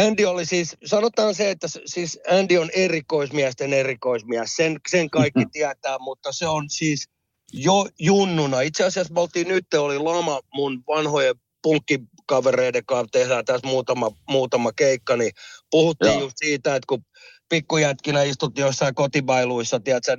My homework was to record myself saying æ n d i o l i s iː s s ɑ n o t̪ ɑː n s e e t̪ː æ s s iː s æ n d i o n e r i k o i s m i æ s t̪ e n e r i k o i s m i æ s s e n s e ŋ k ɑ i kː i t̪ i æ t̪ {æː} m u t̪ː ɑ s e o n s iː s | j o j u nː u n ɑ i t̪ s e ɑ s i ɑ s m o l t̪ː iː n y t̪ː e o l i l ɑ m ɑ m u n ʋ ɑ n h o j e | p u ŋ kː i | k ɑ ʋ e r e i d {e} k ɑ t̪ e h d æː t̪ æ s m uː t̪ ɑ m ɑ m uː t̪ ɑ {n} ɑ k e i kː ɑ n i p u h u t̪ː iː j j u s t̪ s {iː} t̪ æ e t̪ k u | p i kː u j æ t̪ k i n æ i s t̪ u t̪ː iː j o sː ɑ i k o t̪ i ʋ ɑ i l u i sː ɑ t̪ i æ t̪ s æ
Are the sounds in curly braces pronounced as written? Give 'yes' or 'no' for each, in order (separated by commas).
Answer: yes, yes, no, yes